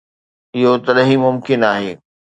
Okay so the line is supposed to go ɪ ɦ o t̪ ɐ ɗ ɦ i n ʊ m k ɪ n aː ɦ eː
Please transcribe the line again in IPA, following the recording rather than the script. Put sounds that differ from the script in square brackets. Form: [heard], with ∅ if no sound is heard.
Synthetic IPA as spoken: ɪ ɦ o t̪ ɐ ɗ ɦ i [m] ʊ m k ɪ n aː ɦ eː